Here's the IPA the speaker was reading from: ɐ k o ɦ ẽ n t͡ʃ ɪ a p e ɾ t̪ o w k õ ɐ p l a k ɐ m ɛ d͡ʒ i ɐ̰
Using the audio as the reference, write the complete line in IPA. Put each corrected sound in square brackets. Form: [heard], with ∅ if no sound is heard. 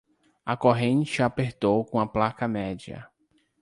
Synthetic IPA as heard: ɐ k o ɦ ẽ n t͡ʃ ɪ a p e ɾ t̪ o w k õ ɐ p l a k ɐ m ɛ d͡ʒ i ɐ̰